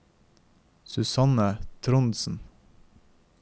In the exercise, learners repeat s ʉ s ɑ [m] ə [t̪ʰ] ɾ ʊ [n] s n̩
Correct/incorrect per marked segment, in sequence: incorrect, correct, correct

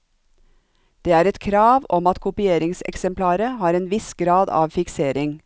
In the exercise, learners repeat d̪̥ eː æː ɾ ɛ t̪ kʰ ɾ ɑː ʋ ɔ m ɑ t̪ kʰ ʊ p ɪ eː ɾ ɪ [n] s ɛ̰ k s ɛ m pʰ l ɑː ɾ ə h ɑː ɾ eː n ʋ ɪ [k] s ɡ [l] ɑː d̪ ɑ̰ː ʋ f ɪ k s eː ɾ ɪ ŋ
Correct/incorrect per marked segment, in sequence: incorrect, incorrect, incorrect

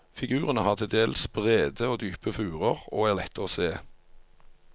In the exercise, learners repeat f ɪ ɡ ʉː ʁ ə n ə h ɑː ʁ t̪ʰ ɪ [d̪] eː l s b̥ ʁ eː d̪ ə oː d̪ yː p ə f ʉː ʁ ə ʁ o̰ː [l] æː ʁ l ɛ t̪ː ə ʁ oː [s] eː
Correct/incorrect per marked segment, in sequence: correct, incorrect, correct

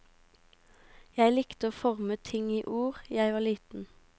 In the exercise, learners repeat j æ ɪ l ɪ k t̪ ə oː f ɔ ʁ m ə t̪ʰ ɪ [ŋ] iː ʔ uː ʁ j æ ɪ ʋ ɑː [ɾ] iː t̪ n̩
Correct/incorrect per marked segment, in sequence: correct, incorrect

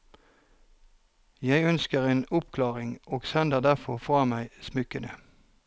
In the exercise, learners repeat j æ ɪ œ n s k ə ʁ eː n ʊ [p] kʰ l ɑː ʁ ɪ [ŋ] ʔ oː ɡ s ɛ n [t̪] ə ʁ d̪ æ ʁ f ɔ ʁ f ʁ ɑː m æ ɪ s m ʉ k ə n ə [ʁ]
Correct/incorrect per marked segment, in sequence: correct, correct, incorrect, incorrect

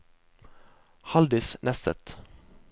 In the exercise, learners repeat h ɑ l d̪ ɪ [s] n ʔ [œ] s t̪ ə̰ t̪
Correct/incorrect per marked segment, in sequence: correct, incorrect

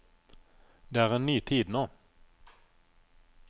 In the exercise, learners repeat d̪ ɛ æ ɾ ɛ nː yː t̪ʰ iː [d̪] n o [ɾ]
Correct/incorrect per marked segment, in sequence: correct, incorrect

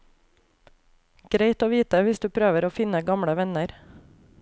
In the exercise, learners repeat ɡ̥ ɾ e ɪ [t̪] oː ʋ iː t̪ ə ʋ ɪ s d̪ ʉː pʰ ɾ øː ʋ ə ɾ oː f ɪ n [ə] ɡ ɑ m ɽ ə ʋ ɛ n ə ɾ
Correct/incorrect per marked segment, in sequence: correct, correct

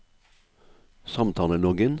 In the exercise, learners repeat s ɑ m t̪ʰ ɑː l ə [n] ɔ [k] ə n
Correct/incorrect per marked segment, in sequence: correct, incorrect

